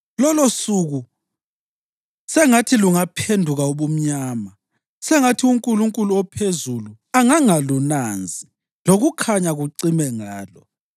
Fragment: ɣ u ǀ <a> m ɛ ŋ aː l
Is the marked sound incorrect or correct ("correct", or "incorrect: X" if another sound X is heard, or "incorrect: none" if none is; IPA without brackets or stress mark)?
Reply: incorrect: i